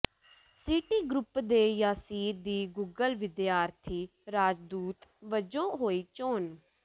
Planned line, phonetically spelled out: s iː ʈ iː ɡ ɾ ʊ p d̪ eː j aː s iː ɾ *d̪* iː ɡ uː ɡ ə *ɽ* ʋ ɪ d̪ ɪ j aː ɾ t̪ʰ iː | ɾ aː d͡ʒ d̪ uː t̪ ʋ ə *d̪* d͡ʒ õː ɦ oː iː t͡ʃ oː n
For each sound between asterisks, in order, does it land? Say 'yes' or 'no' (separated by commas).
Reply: yes, no, no